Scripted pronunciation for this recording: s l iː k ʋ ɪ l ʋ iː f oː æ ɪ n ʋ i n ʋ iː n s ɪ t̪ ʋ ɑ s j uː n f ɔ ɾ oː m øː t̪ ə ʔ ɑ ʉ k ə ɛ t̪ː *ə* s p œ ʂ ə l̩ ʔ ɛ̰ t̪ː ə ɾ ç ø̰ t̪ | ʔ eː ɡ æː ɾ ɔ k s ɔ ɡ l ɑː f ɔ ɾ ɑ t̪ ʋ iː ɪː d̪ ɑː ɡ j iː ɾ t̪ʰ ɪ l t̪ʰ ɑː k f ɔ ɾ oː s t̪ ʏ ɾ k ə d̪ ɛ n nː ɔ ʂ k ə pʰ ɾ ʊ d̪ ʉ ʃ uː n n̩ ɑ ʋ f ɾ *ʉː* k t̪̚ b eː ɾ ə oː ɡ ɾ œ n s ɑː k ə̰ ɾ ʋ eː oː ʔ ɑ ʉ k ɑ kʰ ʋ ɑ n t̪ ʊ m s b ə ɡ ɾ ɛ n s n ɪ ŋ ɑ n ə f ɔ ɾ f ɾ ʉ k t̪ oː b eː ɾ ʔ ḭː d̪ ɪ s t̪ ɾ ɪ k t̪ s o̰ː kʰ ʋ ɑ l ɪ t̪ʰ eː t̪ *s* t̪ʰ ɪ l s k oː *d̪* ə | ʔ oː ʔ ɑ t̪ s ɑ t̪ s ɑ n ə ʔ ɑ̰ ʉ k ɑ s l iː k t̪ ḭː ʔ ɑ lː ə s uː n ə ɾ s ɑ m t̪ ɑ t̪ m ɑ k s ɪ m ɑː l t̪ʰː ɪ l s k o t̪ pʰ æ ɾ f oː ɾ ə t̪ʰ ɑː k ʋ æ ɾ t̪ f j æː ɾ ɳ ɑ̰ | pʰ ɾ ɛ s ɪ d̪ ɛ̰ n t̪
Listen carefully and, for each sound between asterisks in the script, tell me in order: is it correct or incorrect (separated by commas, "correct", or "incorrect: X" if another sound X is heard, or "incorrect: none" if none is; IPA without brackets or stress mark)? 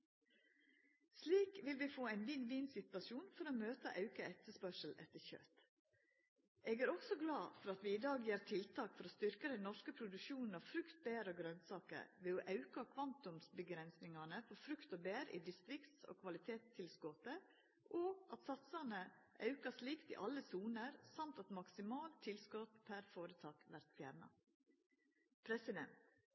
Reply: correct, incorrect: ʉ, correct, incorrect: t̪